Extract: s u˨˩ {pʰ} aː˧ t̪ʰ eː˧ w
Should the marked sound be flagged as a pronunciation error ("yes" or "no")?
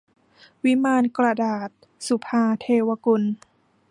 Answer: no